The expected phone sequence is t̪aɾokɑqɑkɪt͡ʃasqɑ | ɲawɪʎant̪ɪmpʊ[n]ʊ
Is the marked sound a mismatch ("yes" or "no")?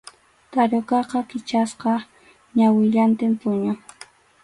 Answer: yes